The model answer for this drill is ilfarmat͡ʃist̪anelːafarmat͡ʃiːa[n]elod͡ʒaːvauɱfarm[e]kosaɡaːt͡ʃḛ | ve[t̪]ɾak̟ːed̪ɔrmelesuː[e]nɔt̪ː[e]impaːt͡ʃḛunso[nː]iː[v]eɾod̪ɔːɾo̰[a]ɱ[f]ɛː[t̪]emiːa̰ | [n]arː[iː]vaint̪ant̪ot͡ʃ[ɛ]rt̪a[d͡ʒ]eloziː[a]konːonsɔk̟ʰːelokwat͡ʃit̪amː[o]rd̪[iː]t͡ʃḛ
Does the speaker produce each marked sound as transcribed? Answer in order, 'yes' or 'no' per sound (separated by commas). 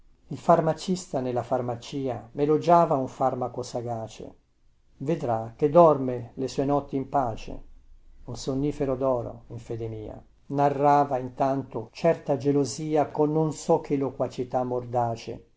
no, no, no, yes, no, yes, no, no, yes, no, yes, no, yes, yes, yes, yes, no